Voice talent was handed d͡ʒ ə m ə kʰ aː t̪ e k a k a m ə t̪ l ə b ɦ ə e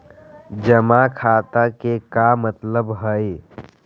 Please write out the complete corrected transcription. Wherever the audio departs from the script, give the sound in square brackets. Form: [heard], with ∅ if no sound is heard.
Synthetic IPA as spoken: d͡ʒ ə m [a] kʰ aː t̪ [a] k [e] k a m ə t̪ l ə b ɦ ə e